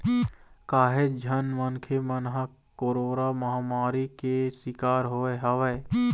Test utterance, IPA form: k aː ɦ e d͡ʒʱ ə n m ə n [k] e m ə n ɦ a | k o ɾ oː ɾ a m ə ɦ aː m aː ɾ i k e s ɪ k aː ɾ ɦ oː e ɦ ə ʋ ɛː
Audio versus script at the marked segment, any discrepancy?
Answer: yes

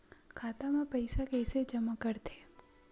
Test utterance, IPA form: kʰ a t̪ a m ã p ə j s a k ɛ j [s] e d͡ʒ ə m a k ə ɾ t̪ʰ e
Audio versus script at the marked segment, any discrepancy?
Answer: no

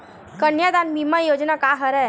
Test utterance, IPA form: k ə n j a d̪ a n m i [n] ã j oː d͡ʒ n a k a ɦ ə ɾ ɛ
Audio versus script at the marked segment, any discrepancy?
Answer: yes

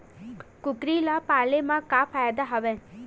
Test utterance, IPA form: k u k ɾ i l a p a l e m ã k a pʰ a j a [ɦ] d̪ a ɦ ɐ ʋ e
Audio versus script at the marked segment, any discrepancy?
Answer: yes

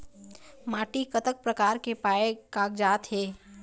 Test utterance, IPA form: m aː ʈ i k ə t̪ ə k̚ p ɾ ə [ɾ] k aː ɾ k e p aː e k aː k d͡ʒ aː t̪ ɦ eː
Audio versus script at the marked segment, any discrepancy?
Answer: yes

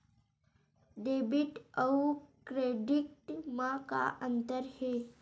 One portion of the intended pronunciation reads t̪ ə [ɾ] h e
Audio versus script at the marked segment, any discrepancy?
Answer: no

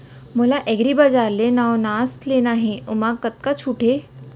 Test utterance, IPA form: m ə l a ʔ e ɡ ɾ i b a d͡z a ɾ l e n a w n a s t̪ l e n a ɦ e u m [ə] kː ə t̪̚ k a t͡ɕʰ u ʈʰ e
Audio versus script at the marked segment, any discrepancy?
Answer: yes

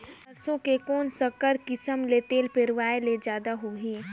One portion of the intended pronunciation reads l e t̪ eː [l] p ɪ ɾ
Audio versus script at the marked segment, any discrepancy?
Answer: no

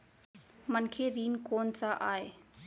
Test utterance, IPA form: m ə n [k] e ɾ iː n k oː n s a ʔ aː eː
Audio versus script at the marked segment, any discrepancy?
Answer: yes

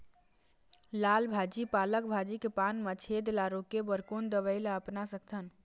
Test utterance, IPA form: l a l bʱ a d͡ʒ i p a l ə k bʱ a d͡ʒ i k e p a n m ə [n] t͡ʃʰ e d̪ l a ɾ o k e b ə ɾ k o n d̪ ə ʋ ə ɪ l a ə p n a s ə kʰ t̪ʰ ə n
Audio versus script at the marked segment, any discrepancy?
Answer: yes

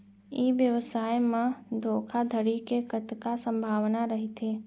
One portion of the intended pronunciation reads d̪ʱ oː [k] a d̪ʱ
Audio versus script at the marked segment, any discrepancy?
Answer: yes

